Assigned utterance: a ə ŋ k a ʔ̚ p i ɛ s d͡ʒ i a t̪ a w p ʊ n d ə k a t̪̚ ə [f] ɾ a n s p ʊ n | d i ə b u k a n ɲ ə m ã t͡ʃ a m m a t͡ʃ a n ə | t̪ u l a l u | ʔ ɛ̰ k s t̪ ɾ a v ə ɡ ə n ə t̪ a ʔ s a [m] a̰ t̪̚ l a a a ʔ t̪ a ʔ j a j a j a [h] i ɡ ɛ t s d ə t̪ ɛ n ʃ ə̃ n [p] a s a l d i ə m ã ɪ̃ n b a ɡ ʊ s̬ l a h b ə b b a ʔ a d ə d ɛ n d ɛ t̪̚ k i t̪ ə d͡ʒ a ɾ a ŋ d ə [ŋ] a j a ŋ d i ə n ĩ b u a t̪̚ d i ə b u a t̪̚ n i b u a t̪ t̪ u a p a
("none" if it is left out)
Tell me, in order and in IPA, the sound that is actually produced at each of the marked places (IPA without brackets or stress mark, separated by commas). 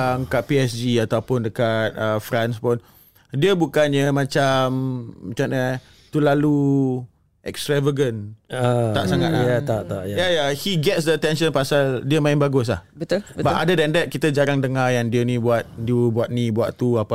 f, ŋ, h, p, ŋ